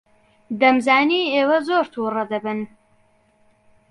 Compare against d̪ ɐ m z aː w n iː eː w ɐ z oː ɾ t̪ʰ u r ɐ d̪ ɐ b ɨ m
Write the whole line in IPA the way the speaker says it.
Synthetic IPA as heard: d̪ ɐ m z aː n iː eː w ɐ z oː ɾ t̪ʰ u r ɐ d̪ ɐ b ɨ n